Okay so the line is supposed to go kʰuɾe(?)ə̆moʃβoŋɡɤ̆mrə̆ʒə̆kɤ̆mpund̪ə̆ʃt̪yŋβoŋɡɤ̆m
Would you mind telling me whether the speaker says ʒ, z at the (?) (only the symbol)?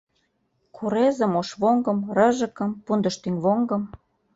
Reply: z